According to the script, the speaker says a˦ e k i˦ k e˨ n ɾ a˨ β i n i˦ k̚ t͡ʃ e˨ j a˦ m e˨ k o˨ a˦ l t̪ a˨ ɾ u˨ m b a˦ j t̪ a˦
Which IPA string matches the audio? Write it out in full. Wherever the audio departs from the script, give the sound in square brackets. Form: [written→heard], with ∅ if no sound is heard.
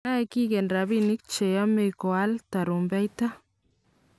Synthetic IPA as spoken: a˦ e k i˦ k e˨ n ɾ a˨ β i n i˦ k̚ t͡ʃ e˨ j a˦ m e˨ k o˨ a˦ l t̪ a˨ ɾ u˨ m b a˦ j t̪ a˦

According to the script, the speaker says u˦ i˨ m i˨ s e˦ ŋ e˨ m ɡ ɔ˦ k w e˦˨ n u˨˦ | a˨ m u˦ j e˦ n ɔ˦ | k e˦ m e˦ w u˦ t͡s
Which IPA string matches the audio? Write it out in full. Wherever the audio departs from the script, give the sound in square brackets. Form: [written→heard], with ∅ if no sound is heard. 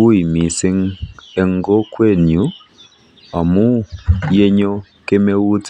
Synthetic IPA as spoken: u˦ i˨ m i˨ s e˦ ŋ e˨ [m→ŋ] ɡ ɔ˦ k w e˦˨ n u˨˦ | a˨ m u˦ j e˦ [n→ɲ] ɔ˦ | k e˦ m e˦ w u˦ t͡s

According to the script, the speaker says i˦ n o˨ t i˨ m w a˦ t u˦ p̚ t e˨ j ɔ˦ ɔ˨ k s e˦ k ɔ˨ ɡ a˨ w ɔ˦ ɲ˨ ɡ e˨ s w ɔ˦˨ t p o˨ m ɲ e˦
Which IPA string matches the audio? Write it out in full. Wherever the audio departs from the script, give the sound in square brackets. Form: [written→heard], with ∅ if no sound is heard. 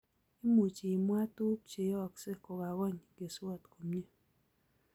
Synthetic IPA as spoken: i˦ [n→m] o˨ [t→t͡ʃ] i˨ m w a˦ t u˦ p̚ [t→t͡ʃ] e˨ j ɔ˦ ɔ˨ k s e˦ k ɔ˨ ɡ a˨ w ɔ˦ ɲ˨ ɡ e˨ s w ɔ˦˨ t [p→k] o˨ m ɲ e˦

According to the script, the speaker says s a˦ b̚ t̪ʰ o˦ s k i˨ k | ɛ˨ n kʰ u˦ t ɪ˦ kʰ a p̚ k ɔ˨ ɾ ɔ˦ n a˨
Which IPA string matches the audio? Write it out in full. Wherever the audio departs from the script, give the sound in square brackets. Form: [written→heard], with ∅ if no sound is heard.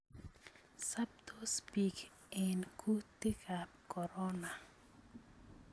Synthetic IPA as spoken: s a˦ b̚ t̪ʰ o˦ s [k→p] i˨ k | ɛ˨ n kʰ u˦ t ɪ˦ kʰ a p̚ k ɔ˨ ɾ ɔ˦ n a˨

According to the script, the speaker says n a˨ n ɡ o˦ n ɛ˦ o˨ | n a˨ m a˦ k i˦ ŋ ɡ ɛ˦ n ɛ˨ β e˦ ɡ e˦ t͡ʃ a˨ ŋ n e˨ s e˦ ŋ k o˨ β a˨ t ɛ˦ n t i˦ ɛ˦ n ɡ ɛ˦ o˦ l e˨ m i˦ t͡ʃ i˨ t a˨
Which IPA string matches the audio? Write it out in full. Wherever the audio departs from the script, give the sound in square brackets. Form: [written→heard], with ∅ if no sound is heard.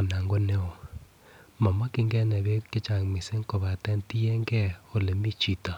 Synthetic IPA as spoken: n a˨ [n→ŋ] ɡ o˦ n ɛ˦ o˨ | [n→m] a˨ m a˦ k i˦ ŋ ɡ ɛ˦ n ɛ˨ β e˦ [ɡ→k] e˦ t͡ʃ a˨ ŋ [n→m] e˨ s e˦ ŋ k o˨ β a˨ t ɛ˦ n t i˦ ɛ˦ [n→ŋ] ɡ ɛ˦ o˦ l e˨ m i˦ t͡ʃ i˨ t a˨

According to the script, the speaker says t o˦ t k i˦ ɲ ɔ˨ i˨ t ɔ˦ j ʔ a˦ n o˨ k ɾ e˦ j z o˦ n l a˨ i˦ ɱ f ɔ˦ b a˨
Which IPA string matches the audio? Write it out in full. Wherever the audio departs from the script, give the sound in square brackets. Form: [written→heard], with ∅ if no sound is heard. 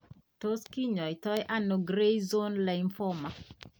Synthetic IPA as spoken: t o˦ [t→s] k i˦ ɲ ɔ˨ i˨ t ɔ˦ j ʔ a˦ n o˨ [k→ɡ] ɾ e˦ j z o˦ n l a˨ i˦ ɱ f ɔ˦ [b→m] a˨

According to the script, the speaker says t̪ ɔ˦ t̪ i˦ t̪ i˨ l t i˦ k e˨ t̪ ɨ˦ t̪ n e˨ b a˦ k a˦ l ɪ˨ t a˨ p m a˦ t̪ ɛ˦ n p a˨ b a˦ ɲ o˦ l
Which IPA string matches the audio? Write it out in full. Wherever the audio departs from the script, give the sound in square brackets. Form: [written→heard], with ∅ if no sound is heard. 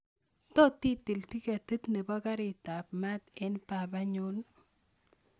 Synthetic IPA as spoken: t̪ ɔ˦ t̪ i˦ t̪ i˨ l t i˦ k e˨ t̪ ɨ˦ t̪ n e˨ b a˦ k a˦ [l→ɾ] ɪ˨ t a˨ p m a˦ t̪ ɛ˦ n p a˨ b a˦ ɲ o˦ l

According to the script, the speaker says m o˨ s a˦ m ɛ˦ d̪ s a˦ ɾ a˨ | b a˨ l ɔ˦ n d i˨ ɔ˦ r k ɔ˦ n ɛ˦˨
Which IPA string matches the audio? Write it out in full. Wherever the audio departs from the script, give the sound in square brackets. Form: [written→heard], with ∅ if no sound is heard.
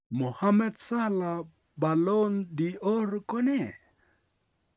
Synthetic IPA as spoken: m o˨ [s→h] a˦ m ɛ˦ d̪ s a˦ [ɾ→l] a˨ | b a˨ l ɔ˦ n d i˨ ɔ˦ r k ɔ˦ n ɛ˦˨

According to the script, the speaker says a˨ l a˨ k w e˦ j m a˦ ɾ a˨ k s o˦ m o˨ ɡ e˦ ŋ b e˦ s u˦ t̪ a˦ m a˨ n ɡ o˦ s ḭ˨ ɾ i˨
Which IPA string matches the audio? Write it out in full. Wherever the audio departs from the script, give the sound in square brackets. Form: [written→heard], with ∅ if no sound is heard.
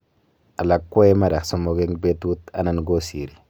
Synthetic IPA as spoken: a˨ l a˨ k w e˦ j m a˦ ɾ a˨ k s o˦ m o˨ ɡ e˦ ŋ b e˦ [s→t] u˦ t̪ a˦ [m→n] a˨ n ɡ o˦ s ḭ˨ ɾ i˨

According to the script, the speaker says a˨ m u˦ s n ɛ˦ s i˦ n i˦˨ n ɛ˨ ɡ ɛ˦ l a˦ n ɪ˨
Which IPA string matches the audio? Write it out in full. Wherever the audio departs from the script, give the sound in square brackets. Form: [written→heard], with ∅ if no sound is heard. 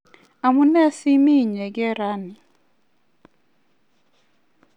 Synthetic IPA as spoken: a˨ m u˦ [s→∅] n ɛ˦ s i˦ [n→m] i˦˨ [n→ɲ] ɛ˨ ɡ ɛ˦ [l→ɾ] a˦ n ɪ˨

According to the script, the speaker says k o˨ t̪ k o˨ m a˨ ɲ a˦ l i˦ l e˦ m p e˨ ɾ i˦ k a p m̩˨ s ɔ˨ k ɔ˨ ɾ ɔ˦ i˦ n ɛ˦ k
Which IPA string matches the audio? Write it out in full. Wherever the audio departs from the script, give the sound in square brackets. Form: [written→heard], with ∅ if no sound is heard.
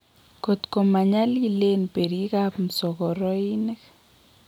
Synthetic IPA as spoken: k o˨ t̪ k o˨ m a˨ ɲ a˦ l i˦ l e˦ [m→n] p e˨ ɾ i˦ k a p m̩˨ s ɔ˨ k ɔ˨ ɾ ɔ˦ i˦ n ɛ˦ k

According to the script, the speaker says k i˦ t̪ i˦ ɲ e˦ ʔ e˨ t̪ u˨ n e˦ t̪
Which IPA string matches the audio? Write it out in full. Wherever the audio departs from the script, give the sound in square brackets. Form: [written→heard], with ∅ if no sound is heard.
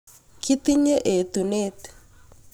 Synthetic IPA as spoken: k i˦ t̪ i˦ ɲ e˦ ʔ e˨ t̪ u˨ n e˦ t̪

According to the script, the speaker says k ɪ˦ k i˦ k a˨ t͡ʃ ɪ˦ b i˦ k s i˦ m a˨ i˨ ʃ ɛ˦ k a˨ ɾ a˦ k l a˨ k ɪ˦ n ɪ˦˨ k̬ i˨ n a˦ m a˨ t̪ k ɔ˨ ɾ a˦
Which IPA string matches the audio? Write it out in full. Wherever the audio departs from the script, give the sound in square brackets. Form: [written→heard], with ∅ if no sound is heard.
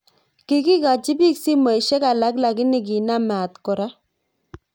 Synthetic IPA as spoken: k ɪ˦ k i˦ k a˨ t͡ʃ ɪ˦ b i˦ k s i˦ m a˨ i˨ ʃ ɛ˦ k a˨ [ɾ→l] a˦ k l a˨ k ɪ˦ n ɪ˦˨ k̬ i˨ n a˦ m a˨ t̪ k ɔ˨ ɾ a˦

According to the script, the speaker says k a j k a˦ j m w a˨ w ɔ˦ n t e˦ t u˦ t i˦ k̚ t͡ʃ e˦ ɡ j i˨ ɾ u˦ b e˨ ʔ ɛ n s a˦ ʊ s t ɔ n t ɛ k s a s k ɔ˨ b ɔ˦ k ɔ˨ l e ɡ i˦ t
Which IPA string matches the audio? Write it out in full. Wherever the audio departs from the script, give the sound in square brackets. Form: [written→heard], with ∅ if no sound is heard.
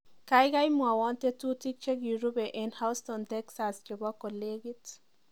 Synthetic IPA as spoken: k a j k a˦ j m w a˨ w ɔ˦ n t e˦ t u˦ t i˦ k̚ t͡ʃ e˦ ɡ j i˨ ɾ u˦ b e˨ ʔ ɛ n [s→h] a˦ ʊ s t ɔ n t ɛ k s a s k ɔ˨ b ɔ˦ k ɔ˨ l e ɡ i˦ t

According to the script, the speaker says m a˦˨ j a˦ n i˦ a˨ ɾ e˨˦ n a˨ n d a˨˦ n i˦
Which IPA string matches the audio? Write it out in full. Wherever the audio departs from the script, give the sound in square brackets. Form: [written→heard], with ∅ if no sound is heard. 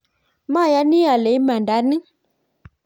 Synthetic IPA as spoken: m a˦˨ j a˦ n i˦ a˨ [ɾ→l] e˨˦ [n→m] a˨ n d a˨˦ n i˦

